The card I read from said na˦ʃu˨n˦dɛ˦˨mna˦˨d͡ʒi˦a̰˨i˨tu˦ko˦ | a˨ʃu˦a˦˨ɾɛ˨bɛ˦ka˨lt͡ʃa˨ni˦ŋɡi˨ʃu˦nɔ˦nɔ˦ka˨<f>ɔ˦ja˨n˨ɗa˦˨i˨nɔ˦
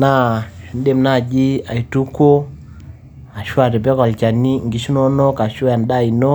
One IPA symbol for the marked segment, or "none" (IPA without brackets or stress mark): ʃ